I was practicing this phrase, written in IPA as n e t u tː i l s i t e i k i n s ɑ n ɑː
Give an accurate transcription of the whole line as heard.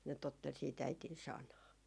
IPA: n e t o tː e l s iː t æ i t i n s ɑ n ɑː